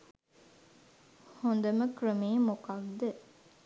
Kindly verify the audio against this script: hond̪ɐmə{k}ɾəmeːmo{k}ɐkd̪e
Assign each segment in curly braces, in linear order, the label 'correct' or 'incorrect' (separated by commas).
correct, correct